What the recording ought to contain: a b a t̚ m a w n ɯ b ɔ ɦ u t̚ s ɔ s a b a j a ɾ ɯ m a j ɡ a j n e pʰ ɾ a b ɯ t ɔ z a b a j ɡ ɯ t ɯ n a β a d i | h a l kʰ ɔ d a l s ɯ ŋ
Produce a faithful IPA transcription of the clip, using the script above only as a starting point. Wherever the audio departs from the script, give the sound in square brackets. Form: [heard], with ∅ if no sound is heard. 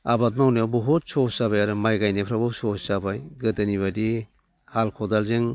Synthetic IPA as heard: a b a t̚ m a w n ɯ b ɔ ɦ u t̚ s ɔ s a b a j a ɾ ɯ m a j ɡ a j n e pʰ ɾ a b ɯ [s] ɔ [s] a b a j ɡ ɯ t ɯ n [i] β a d i | h a l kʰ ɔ d a l [z] ɯ ŋ